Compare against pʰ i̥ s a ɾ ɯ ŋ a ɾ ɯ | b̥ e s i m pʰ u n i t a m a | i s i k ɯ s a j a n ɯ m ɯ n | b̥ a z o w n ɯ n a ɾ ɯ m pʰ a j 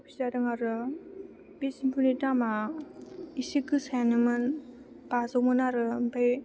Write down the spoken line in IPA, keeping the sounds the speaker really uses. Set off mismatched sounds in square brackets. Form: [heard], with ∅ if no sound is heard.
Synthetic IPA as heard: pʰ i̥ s a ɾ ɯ ŋ a ɾ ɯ | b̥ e s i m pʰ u n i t a m a | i s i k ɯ s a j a n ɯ m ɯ n | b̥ a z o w [m] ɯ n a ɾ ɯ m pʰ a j